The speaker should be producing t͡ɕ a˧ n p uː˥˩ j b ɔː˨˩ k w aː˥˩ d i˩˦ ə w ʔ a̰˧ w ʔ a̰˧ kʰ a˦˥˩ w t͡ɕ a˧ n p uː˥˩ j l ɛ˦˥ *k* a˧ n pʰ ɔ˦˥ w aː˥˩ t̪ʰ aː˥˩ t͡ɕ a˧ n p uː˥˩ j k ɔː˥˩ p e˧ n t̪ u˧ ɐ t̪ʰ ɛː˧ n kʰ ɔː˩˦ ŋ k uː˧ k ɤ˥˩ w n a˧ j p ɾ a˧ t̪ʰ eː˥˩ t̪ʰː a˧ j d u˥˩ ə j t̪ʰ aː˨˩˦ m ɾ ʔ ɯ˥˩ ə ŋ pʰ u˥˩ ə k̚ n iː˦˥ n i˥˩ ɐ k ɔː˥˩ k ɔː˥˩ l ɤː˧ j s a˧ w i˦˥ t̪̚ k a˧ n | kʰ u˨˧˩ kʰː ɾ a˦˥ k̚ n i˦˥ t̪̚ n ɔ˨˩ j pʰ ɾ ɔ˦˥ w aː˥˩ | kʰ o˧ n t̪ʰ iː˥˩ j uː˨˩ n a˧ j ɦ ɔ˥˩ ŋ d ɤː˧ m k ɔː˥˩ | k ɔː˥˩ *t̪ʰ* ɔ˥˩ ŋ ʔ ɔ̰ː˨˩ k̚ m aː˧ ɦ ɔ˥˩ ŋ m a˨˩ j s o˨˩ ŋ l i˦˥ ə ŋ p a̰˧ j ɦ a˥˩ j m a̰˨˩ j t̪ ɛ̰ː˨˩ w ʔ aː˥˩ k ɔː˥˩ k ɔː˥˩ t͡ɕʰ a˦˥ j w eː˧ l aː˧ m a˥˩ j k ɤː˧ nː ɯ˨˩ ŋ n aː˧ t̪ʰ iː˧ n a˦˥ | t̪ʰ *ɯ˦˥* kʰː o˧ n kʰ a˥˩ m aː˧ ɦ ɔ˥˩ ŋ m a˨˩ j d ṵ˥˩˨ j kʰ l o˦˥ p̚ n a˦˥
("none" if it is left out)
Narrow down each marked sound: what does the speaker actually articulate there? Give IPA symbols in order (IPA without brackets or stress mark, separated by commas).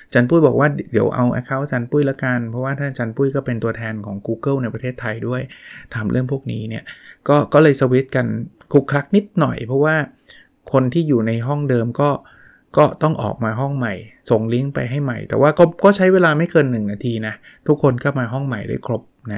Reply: k, t̪, u˦˥